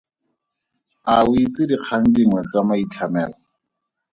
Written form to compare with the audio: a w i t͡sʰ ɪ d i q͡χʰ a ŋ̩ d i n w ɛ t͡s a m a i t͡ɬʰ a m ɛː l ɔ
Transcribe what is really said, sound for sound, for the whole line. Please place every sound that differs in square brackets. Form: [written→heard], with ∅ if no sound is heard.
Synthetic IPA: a w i [t͡sʰ→t͡s] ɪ d i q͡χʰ a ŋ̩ d i [n→ŋ] w ɛ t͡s a m a i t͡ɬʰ a m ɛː l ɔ

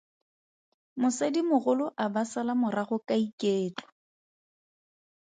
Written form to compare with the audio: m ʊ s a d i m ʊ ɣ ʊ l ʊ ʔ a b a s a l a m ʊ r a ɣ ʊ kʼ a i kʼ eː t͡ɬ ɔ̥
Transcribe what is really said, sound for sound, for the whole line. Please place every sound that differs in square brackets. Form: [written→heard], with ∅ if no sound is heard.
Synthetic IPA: m ʊ s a d i m ʊ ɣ ʊ l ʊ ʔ a b a s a l a m ʊ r a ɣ ʊ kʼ a i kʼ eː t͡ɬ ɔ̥

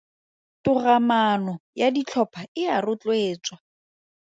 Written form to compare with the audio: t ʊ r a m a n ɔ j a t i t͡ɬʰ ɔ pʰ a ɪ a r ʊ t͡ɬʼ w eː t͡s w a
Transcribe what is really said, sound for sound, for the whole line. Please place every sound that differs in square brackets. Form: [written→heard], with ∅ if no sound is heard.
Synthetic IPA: t ʊ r a m a n ɔ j a [t→d] i t͡ɬʰ ɔ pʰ a ɪ a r ʊ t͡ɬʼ w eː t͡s w a

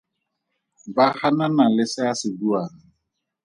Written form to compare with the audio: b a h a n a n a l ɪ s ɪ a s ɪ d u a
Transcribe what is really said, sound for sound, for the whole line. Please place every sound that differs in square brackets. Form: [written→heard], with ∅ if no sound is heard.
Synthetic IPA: b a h a n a n a l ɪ s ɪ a s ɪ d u a

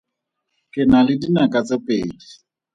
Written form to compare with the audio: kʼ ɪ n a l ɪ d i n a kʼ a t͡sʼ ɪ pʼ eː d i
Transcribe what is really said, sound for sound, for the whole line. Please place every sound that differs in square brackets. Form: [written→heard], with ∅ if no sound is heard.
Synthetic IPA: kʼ ɪ n a l ɪ d i n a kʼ a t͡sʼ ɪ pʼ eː d i

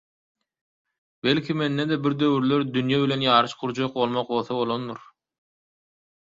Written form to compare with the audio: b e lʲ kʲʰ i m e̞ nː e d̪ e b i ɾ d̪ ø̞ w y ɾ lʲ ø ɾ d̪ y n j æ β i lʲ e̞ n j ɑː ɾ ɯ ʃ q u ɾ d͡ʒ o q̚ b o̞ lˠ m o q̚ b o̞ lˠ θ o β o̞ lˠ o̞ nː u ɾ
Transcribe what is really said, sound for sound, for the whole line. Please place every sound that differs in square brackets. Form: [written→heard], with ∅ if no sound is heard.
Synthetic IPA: b e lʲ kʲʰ i m e̞ nː e d̪ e b i ɾ d̪ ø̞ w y ɾ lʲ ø ɾ d̪ y n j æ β i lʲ e̞ n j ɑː ɾ ɯ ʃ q u ɾ d͡ʒ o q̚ b o̞ lˠ m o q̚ b o̞ lˠ θ o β o̞ lˠ o̞ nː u ɾ

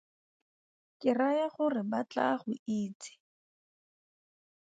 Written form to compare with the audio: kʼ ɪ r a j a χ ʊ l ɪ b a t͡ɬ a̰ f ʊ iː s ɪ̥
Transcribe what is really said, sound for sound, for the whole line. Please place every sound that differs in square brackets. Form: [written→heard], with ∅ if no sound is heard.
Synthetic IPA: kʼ ɪ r a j a χ ʊ [l→r] ɪ b a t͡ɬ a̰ [f→χ] ʊ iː [s→t͡s] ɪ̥

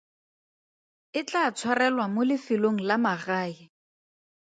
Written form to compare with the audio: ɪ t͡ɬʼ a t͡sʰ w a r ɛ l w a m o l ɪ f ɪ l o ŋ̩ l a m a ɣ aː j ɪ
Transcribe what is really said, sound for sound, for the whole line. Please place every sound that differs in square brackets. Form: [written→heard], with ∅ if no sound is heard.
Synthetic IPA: ɪ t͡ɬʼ a t͡sʰ w a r ɛ l w a m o l ɪ f ɪ l o ŋ̩ l a m a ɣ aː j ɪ

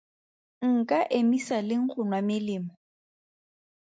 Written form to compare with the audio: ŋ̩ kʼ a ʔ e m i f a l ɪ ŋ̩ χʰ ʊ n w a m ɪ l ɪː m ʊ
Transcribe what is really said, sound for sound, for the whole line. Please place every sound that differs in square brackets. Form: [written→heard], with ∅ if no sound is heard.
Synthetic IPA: ŋ̩ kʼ a ʔ e m i [f→s] a l ɪ ŋ̩ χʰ ʊ n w a m ɪ l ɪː m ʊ

